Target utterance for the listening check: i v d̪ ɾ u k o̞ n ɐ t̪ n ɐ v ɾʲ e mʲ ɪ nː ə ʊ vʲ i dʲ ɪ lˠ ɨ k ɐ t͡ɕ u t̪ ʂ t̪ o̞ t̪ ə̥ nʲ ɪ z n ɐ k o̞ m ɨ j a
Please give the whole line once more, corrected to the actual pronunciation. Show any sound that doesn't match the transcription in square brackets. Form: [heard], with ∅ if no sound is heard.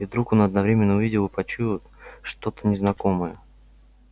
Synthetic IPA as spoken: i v d̪ ɾ u k o̞ n ɐ [d̪] n ɐ v ɾʲ e mʲ ɪ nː ə ʊ vʲ i dʲ ɪ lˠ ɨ [p] ɐ t͡ɕ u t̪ ʂ t̪ o̞ t̪ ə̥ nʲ ɪ z n ɐ k o̞ m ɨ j [ə]